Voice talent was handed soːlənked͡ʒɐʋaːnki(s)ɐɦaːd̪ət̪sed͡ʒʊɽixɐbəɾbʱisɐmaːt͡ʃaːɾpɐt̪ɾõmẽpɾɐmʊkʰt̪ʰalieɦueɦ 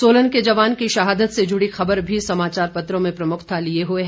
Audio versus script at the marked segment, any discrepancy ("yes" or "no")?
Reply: yes